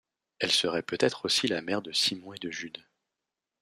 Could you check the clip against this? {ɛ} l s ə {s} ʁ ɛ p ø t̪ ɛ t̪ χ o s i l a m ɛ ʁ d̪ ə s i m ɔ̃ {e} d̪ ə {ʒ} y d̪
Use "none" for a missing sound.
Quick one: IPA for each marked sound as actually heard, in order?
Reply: ɛ, none, e, ʒ

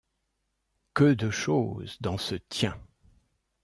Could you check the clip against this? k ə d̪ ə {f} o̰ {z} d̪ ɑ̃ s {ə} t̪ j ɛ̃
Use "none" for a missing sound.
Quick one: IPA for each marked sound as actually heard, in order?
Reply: ʃ, z, ə

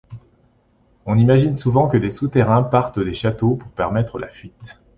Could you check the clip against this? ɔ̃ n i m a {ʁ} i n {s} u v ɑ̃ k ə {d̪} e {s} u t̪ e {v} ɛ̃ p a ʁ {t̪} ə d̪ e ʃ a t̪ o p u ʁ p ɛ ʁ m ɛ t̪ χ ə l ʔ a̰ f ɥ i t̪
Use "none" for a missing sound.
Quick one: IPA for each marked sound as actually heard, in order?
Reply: ʒ, s, d̪, s, ʁ, t̪

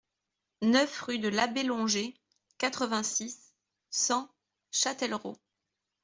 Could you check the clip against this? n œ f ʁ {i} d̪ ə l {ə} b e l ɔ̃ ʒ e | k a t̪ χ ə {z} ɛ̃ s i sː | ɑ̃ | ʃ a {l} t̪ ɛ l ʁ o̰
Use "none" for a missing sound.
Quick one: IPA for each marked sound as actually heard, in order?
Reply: y, a, v, none

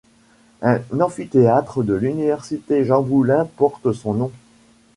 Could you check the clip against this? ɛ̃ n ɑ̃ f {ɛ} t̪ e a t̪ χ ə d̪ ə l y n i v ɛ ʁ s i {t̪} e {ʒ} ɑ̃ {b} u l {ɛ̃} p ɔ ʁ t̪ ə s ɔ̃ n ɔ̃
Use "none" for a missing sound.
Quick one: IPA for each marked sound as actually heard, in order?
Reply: i, t̪, ʒ, b, ɛ̃

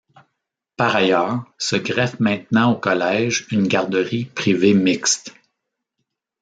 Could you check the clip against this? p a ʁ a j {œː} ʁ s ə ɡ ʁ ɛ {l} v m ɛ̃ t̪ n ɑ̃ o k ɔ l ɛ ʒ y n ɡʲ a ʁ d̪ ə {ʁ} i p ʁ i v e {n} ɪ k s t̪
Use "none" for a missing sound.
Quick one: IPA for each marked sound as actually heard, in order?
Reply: œː, none, ʁ, m

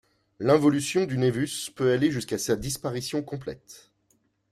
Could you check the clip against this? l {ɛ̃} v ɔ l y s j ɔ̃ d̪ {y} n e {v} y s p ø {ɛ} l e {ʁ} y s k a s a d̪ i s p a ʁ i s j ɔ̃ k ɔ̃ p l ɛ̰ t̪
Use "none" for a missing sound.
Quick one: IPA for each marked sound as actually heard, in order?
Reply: ɛ̃, y, v, a, ʒ

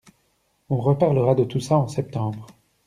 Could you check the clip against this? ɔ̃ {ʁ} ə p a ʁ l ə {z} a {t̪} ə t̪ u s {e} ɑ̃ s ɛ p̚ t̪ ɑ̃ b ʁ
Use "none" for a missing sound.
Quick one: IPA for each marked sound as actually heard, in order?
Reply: ʁ, ʁ, d̪, a

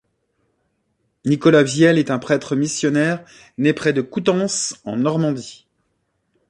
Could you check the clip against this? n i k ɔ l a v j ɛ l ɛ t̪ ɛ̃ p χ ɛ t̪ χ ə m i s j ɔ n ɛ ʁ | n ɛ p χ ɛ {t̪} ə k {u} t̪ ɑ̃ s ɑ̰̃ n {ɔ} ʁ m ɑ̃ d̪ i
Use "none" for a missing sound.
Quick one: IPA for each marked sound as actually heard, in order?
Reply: d̪, u, ɔ

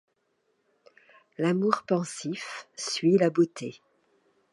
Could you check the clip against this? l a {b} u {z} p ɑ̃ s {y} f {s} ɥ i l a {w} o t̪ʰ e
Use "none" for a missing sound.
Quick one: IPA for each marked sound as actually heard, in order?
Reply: m, ʁ, i, s, b

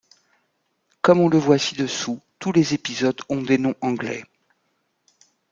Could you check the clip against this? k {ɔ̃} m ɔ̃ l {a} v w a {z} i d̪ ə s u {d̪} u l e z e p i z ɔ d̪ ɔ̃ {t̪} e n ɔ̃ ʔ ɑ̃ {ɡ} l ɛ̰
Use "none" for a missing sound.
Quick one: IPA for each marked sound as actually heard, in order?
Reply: ɔ, ə, s, t̪, d̪, ɡ

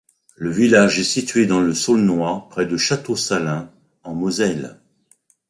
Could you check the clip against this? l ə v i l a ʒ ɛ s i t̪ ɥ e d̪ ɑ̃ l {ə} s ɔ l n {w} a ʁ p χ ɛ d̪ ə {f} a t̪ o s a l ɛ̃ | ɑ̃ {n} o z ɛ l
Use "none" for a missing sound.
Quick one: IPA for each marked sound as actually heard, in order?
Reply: ə, w, ʃ, m

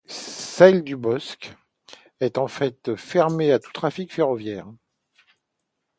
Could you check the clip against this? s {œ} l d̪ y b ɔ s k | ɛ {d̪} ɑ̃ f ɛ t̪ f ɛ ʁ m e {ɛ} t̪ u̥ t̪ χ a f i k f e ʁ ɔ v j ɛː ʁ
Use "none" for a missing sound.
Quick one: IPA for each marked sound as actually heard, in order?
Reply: ɛ, t̪, a

